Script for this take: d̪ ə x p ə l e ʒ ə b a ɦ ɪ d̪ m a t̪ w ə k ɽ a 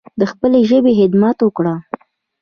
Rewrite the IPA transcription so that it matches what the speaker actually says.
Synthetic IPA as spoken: d̪ ə x p ə l e ʒ ə b e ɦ ɪ d̪ m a t̪ w ə k ɽ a